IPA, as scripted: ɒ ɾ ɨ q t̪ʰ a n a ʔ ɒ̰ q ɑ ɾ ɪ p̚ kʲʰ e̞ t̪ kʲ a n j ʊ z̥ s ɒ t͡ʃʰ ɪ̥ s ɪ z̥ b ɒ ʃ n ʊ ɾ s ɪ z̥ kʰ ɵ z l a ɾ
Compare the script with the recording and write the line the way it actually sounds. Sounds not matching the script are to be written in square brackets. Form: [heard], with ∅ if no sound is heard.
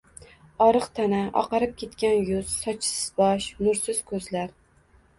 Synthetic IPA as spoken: ɒ ɾ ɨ q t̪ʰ a n a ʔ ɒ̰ q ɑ ɾ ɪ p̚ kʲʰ e̞ t̪ kʲ a n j ʊ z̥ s ɒ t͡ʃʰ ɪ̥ s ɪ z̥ b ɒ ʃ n ʊ ɾ s ɪ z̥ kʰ ɵ z l a ɾ